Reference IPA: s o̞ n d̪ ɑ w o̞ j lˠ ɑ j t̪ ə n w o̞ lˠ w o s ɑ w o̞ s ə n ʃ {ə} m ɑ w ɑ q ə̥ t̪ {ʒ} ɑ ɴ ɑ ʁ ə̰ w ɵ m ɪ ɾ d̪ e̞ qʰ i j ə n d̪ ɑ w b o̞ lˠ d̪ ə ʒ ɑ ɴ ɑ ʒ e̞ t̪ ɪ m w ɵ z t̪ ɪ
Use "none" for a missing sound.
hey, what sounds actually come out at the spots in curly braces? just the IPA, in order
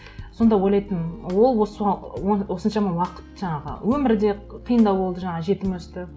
ɑ, ʒ

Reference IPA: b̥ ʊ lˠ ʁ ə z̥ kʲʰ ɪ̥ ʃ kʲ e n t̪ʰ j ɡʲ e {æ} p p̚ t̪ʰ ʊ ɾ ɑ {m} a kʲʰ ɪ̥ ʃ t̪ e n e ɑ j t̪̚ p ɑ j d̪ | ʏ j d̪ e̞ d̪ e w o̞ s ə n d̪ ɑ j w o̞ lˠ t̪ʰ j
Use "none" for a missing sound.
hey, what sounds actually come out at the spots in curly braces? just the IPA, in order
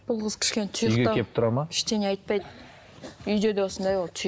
e, m

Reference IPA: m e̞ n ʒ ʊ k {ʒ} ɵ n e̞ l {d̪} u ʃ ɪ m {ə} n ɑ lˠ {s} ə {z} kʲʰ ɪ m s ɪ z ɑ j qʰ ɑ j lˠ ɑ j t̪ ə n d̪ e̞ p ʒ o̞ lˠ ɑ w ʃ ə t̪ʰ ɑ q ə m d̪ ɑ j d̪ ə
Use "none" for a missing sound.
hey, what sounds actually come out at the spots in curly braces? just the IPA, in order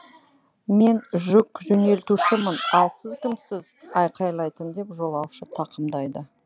ʒ, t̪, ə, s, z

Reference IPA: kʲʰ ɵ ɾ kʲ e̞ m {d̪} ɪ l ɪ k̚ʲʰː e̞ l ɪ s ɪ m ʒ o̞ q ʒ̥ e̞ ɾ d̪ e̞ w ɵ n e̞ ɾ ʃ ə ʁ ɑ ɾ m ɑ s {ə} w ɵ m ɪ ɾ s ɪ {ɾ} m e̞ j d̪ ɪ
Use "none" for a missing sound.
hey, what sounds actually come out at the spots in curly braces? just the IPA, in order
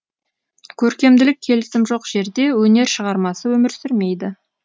d̪, ə, ɾ

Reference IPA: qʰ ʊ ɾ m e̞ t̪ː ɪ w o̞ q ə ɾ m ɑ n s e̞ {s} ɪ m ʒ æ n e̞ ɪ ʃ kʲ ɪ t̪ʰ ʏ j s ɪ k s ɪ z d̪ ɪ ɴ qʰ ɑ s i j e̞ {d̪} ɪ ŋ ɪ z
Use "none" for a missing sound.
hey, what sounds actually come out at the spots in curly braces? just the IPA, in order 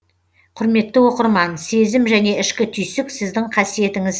z, t̪

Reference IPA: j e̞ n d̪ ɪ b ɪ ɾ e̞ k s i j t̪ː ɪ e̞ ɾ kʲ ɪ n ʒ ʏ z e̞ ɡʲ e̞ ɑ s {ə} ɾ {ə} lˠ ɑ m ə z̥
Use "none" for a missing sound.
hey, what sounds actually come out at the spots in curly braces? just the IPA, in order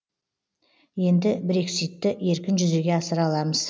ə, ɑ

